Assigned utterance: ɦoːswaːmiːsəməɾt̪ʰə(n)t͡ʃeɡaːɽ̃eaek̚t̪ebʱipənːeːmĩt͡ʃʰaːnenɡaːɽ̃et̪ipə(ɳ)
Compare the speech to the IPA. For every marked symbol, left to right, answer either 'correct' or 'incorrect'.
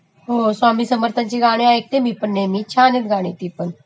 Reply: correct, incorrect: n

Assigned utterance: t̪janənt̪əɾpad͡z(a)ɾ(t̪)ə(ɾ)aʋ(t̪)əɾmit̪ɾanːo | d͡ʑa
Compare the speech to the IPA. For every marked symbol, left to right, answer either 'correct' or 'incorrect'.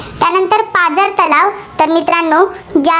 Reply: incorrect: ə, correct, incorrect: l, correct

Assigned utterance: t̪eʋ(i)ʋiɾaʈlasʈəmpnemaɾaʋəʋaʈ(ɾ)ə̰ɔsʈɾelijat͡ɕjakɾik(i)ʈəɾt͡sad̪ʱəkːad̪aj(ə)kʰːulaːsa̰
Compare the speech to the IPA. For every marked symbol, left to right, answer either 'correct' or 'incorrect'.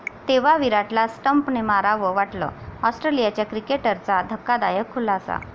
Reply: incorrect: a, incorrect: l, incorrect: e, correct

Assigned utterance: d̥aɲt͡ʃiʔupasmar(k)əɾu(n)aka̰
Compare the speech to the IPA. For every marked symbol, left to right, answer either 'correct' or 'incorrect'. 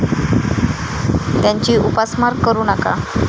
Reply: correct, correct

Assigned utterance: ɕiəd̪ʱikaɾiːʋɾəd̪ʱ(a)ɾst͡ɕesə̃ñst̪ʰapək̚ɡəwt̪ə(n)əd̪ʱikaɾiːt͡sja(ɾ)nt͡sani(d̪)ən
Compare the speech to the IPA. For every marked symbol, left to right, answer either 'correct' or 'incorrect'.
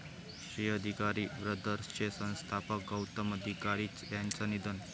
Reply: incorrect: ə, incorrect: m, incorrect: none, correct

